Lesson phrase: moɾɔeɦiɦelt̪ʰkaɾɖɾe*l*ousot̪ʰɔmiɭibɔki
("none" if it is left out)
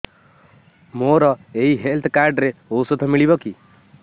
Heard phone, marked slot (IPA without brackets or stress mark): none